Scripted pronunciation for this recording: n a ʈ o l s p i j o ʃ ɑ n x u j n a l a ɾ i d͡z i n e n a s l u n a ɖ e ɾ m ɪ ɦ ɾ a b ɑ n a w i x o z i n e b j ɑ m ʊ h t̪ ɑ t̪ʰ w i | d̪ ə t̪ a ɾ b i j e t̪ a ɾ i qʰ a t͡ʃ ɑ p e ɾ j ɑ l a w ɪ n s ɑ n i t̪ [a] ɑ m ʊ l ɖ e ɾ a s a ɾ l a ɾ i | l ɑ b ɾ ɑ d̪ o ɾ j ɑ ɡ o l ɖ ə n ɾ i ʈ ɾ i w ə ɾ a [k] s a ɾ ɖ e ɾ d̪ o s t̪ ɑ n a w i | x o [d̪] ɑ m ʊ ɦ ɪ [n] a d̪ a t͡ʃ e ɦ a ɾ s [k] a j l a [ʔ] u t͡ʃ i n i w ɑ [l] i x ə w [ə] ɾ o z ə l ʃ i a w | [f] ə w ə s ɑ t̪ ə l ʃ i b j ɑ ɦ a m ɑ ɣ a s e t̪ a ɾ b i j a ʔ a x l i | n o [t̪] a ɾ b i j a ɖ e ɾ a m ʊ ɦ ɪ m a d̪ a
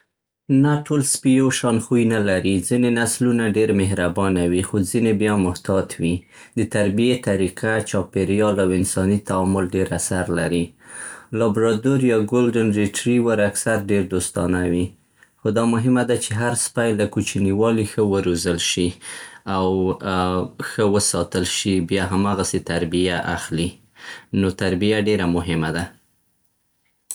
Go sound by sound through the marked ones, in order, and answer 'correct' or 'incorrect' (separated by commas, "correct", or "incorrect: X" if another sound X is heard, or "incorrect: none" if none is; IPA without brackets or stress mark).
correct, correct, correct, incorrect: m, incorrect: p, incorrect: k, correct, correct, incorrect: x, correct